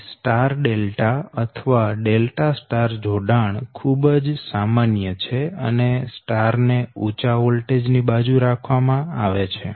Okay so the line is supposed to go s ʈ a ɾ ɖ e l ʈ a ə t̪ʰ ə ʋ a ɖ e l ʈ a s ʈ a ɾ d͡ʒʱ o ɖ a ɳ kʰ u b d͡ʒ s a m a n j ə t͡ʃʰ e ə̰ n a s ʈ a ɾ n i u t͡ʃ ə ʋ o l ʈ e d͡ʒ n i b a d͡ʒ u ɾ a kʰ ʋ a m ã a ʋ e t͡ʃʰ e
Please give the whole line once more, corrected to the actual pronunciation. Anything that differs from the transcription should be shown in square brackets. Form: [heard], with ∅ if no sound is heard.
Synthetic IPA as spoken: s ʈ a ɾ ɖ e l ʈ a ə t̪ʰ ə ʋ a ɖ e l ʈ a s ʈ a ɾ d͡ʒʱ o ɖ a ɳ kʰ u b d͡ʒ s a m a n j ə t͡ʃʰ e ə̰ n [e] s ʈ a ɾ n [e] u t͡ʃ [a] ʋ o l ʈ e d͡ʒ n i b a d͡ʒ u ɾ a kʰ ʋ a m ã a ʋ e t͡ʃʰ e